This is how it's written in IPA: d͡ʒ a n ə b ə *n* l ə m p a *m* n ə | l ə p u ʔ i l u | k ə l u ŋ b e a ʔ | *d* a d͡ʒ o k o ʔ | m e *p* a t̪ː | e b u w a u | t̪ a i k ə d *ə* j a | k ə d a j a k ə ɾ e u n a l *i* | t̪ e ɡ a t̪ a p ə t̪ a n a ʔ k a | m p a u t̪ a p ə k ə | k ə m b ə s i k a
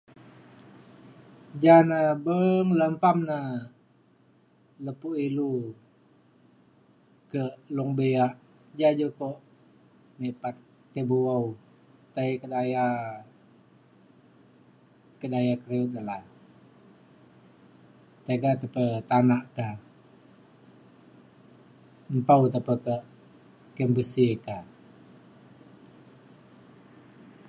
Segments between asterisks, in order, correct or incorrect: incorrect: ŋ, correct, incorrect: d͡ʒ, correct, incorrect: a, incorrect: a

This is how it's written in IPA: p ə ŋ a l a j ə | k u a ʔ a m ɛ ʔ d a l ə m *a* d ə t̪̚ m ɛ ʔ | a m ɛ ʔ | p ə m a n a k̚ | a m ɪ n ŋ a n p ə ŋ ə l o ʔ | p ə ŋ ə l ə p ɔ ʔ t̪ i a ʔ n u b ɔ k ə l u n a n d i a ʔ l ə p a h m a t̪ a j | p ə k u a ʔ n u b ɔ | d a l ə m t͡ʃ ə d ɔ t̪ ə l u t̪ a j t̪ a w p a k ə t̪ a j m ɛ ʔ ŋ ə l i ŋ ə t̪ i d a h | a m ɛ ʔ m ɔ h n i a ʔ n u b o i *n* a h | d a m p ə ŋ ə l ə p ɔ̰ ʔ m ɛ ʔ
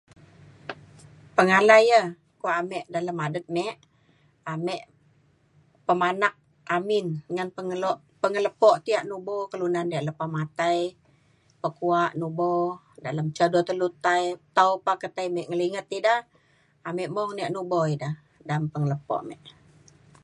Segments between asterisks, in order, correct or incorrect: correct, incorrect: d

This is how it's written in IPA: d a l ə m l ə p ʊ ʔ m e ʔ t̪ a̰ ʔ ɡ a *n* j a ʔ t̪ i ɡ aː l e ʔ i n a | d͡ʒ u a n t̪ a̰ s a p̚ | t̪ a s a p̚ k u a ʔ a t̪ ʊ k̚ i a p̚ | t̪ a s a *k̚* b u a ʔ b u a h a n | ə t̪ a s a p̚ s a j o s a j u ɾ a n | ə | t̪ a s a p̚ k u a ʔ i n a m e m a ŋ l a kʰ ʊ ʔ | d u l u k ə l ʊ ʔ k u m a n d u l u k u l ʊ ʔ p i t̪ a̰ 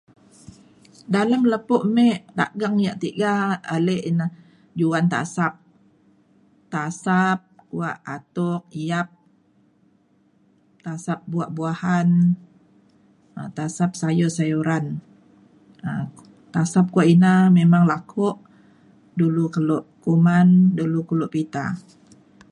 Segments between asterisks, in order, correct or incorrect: incorrect: ŋ, incorrect: p̚

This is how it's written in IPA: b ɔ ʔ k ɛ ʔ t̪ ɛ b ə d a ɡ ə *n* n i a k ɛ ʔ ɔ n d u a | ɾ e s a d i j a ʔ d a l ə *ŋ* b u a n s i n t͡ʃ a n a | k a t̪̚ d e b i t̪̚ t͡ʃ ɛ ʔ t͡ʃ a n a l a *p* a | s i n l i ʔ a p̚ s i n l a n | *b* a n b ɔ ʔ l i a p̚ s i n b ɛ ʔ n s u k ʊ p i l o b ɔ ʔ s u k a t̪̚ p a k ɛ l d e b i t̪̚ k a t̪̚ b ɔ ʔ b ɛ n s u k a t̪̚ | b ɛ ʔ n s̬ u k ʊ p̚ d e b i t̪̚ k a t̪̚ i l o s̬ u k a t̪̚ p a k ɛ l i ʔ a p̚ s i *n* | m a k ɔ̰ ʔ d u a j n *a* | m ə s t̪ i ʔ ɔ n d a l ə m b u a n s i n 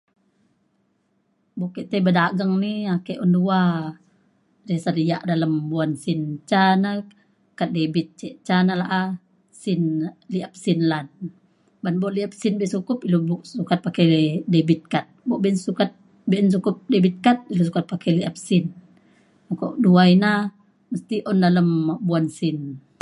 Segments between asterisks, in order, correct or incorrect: incorrect: ŋ, incorrect: m, incorrect: ʔ, correct, correct, correct

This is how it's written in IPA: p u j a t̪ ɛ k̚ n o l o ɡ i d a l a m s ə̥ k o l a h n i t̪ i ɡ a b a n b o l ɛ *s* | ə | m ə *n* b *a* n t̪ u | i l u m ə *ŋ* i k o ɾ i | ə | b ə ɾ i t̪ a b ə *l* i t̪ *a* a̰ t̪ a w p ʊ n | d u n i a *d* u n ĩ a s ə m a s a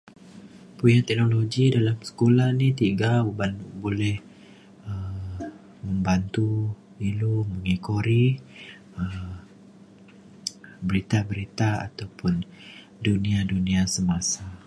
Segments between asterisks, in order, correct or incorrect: incorrect: h, incorrect: m, correct, correct, incorrect: ɾ, correct, correct

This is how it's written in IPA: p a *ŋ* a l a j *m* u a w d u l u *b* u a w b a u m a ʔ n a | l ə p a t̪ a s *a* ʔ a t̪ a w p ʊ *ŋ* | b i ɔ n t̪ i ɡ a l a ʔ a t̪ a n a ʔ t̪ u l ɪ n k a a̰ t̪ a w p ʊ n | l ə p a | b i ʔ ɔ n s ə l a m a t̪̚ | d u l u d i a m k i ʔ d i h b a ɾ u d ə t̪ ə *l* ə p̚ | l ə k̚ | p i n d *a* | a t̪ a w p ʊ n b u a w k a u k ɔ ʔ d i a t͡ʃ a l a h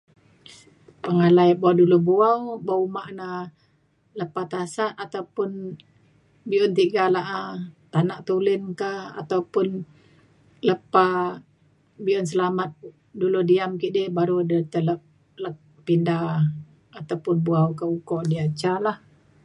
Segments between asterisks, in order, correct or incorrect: correct, incorrect: b, correct, correct, incorrect: n, correct, correct

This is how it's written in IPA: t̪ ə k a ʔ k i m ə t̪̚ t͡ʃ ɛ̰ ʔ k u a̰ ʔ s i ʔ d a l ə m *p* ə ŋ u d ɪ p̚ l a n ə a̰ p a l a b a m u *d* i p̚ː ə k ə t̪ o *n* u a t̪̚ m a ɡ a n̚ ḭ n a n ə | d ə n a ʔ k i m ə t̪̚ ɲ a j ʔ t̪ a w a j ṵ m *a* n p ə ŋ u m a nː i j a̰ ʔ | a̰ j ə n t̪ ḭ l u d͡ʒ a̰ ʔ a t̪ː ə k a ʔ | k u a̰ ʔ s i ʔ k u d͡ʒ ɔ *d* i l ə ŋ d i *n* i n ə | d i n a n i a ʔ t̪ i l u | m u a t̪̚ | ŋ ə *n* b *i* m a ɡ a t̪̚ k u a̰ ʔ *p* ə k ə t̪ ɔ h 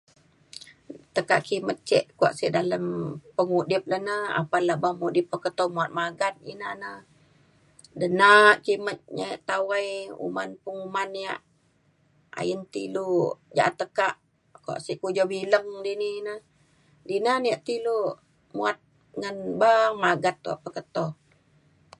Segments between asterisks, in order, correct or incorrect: correct, correct, incorrect: m, correct, incorrect: b, correct, correct, incorrect: a, correct

